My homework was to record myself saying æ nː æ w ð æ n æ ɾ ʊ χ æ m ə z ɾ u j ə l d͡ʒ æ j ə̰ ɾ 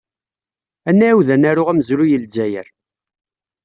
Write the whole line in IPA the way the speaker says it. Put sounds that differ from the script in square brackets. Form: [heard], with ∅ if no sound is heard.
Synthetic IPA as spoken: æ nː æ w ð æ n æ ɾ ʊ [ʁ] æ m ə z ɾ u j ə l d͡ʒ æ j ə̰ ɾ